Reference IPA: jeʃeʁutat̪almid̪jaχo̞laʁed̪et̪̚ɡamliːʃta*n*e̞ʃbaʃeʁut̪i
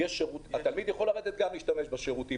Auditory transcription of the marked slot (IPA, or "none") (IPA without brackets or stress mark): m